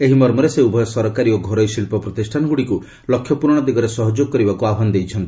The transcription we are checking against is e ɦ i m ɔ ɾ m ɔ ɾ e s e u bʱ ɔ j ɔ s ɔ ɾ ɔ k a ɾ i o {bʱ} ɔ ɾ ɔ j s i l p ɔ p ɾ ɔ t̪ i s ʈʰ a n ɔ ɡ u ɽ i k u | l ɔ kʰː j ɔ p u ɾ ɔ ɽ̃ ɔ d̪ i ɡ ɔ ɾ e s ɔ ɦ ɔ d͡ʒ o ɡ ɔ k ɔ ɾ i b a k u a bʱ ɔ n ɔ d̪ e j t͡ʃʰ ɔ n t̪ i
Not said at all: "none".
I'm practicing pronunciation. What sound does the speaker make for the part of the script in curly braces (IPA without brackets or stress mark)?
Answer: ɡʱ